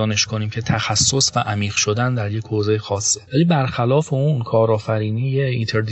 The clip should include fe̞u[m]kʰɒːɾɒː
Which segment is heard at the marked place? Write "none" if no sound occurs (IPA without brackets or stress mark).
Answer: n